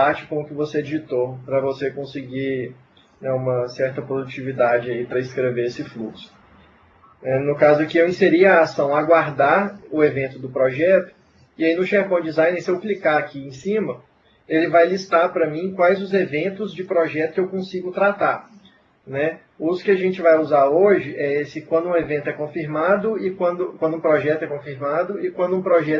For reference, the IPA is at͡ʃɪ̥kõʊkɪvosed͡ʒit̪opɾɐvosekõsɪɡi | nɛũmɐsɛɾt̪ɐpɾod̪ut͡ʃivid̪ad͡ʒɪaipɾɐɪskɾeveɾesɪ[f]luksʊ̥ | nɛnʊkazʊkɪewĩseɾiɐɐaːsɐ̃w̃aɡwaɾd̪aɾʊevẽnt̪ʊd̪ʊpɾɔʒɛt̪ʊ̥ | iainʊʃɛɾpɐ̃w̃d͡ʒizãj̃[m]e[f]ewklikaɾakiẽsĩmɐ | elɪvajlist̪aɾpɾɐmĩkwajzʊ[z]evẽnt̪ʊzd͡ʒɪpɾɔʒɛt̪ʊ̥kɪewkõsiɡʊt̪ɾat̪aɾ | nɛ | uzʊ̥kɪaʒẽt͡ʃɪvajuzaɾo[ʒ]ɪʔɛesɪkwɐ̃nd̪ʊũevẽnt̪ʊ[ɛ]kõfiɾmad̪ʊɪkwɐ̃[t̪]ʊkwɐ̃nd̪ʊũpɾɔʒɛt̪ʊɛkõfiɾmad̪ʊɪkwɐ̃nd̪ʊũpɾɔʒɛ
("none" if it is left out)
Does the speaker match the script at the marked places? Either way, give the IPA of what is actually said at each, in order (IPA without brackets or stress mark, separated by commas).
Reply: f, n, s, z, ʒ, ɛ, d̪